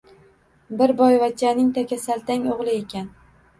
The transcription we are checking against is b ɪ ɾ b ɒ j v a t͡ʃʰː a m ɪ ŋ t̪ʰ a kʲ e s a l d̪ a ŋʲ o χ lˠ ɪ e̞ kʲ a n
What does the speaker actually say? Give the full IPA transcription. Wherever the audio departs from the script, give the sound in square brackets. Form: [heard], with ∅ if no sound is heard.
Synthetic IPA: b ɪ ɾ b ɒ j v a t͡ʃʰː a [n] ɪ ŋ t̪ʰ a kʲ [a] s a l [t̪] a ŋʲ o [ʁ] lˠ ɪ e̞ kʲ a n